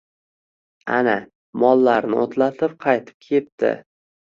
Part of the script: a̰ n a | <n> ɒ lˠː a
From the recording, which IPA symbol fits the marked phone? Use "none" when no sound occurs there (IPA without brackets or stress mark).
m